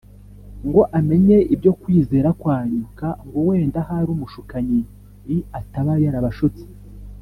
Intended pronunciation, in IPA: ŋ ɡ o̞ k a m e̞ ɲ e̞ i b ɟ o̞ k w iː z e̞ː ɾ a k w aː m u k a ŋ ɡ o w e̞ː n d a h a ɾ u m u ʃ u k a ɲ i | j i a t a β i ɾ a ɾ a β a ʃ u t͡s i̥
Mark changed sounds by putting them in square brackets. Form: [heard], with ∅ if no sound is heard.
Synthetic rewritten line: ŋ ɡ o̞ [ʔ] a m e̞ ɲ e̞ i b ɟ o̞ k w iː z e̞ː ɾ a k w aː [ɲ] u k a ŋ ɡ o w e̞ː n d a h a ɾ u m u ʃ u k a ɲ i | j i a t a β [a] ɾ a ɾ a β a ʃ u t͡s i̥